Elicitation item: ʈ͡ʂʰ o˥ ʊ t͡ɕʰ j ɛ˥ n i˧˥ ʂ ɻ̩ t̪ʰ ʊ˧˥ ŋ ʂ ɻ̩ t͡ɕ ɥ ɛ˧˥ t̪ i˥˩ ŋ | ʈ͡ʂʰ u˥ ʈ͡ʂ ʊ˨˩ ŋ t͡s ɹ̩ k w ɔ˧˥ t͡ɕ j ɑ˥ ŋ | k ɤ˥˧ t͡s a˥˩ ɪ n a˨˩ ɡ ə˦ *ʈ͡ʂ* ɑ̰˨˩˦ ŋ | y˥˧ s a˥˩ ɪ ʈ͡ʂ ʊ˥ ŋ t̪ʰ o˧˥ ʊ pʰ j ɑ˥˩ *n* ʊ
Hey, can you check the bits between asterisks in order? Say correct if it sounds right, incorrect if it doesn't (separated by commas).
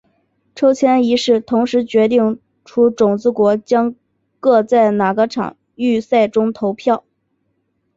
incorrect, incorrect